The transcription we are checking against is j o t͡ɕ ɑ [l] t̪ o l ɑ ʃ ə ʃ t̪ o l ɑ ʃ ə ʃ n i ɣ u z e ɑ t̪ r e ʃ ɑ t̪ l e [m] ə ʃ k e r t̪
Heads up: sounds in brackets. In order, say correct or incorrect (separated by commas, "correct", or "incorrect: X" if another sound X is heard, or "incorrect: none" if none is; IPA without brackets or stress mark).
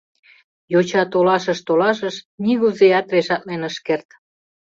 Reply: incorrect: none, incorrect: n